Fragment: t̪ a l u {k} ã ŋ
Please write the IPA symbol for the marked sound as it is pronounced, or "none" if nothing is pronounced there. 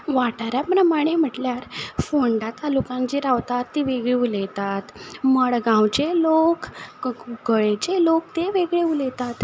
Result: k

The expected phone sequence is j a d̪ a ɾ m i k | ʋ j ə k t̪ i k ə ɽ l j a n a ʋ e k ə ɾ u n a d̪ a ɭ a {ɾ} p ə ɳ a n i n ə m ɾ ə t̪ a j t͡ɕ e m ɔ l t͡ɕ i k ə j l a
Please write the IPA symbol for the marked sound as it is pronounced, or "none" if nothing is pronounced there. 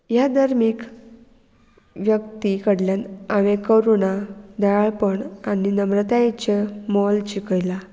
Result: ɭ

